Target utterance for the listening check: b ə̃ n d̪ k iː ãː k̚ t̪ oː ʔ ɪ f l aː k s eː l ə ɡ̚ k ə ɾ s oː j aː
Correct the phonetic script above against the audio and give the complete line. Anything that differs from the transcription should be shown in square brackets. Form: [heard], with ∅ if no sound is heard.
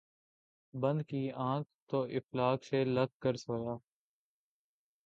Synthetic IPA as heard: b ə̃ n d̪ k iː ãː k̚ t̪ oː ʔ ɪ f l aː k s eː l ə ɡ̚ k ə ɾ s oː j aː